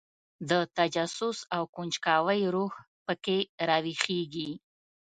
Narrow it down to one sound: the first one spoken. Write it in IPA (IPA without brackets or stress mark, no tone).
d̪